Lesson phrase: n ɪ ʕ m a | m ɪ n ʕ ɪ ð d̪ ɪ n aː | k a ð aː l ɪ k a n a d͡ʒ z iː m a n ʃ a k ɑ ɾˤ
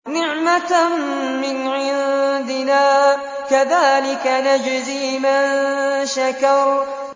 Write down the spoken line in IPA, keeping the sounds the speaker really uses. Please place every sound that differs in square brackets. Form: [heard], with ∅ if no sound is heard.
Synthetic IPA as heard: n ɪ ʕ m a | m ɪ n ʕ ɪ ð d̪ ɪ n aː | k a ð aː l ɪ k a n a d͡ʒ z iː m a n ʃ a k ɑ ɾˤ